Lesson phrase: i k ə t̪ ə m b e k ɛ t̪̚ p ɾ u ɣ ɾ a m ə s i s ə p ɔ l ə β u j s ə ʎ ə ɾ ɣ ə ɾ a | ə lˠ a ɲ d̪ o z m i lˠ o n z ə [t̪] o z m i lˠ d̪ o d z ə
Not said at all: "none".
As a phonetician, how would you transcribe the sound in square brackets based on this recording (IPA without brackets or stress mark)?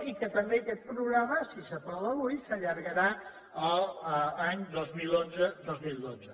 d̪